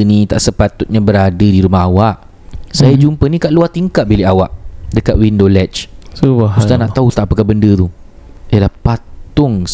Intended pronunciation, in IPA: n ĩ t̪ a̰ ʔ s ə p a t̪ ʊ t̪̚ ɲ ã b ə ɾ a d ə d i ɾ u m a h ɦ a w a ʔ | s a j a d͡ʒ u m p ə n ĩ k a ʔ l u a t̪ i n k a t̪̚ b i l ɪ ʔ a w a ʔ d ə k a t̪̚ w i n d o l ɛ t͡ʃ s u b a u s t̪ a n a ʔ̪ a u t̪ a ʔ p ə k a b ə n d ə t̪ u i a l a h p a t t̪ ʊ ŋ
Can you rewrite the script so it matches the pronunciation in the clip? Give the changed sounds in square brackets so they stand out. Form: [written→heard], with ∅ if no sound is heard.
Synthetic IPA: n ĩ t̪ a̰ ʔ s ə p a t̪ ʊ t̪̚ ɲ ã b ə ɾ a d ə d i ɾ u m a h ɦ a w a ʔ | s a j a d͡ʒ u m p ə n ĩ k a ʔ l u a t̪ i [n→ŋ] k a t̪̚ b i l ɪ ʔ a w a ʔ d ə k a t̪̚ w i n d o l ɛ t͡ʃ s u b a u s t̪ a n a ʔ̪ a u t̪ a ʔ p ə k a b ə n d ə t̪ u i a l a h p a t t̪ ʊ ŋ